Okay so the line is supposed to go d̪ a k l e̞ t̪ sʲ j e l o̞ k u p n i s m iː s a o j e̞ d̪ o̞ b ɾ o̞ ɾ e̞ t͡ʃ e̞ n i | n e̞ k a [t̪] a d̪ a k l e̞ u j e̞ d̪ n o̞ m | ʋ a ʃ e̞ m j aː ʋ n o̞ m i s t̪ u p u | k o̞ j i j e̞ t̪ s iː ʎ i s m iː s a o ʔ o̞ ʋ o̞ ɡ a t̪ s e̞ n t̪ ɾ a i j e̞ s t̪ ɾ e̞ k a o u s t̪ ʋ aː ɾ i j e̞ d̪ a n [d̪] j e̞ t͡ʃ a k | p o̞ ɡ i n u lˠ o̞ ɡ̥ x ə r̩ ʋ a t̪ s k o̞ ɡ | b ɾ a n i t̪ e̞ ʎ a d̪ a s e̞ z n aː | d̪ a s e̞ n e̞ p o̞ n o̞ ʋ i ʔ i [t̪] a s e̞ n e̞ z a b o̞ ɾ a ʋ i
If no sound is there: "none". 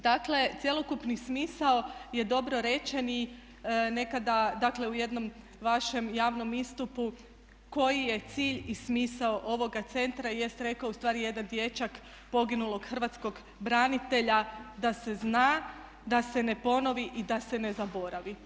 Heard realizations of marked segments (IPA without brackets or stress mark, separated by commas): d̪, d̪, d̪